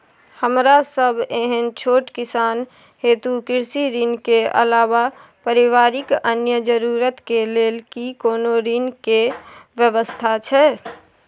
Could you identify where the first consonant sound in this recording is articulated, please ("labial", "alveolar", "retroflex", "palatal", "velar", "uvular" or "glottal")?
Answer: glottal